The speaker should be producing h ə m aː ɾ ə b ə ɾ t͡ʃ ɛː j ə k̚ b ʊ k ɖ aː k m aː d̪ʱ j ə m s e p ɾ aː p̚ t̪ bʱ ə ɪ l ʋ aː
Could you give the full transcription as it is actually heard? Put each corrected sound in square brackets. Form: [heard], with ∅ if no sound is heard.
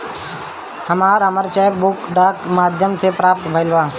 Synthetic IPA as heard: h ə m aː ɾ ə [m] ə ɾ t͡ʃ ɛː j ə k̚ b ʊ k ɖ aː k m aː d̪ʱ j ə m s e p ɾ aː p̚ t̪ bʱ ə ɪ l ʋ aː